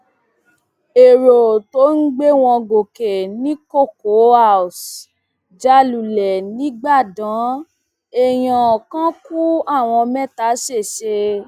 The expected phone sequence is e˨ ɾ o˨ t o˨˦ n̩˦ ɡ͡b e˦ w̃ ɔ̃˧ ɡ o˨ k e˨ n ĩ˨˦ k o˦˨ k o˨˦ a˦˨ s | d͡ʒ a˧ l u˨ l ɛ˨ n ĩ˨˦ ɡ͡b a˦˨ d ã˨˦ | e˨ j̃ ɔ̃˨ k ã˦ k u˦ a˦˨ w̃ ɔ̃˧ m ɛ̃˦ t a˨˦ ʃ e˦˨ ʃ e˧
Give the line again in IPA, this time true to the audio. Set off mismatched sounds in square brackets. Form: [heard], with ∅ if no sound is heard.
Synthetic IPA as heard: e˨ ɾ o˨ t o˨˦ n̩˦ ɡ͡b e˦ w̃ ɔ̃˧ ɡ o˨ k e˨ n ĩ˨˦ k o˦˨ k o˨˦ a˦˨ s | d͡ʒ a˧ l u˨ l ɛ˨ n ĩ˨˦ ɡ͡b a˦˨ d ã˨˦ | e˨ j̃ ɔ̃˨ k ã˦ k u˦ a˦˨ w̃ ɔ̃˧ m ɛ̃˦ t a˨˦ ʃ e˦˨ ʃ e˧